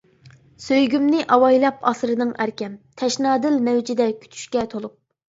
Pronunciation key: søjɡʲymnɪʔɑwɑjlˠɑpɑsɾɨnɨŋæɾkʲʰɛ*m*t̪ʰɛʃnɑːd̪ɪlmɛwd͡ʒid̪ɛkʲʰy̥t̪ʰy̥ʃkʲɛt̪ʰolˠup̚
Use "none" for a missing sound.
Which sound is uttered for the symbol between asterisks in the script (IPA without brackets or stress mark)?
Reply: m